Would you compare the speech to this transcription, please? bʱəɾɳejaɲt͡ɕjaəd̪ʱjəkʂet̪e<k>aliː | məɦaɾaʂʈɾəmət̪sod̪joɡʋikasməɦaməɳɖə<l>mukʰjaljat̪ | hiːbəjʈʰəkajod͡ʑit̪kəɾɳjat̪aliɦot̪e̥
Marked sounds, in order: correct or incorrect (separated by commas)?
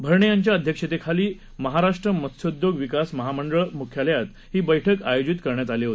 incorrect, incorrect